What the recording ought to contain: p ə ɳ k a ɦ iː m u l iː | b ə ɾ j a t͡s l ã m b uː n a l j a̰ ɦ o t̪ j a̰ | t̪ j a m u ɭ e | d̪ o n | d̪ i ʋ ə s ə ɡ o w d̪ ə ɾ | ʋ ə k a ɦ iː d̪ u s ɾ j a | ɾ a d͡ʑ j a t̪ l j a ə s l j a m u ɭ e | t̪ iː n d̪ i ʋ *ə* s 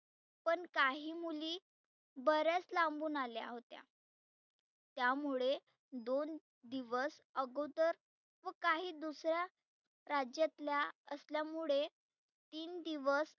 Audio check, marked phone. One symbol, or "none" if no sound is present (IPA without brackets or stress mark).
ə